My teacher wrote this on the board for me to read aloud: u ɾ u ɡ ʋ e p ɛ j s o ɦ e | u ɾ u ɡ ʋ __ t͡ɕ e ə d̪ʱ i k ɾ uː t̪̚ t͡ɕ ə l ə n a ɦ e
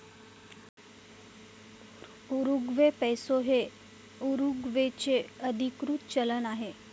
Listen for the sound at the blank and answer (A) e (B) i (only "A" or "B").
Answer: A